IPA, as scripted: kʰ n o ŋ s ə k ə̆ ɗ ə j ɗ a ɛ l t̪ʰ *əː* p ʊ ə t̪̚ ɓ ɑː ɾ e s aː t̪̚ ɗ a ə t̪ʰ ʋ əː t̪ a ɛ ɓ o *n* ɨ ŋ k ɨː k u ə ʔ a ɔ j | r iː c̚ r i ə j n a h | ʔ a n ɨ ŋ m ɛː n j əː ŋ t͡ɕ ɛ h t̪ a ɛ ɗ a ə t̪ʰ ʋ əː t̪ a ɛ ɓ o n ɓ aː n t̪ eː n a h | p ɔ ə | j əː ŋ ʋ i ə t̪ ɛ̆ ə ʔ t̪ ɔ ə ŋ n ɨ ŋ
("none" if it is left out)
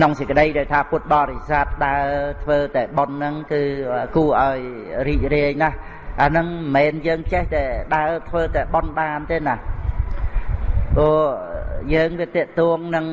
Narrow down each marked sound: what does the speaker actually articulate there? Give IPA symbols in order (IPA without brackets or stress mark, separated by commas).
aː, nː